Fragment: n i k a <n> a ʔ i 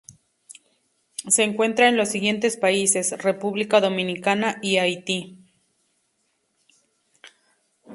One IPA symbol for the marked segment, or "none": n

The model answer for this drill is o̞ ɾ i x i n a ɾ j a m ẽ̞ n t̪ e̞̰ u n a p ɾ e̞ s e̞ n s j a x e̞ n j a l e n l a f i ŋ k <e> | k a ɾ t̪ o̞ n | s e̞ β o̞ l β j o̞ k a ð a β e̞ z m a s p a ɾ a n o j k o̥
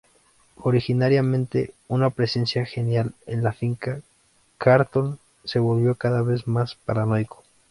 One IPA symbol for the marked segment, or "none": a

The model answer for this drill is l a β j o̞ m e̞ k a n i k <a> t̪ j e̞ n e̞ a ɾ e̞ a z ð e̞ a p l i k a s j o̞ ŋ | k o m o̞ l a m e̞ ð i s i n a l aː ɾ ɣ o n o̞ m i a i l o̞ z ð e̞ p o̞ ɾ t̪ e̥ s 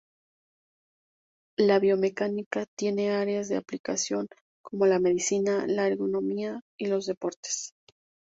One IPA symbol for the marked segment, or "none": a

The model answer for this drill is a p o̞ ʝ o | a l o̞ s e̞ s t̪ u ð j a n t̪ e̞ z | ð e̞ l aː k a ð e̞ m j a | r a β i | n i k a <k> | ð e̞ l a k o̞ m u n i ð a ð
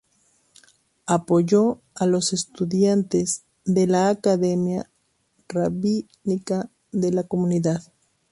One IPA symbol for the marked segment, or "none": none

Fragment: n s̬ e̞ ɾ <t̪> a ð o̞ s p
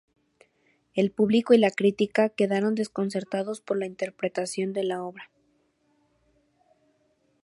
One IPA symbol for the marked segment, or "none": t̪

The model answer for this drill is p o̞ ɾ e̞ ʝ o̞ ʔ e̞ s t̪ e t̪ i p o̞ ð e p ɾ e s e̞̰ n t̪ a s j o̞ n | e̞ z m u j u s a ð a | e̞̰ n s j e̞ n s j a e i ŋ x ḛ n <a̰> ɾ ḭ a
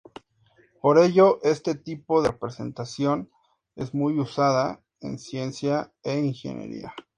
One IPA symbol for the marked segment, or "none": ḛ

